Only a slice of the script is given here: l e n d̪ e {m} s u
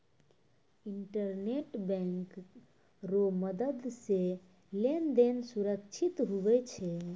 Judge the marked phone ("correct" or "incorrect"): incorrect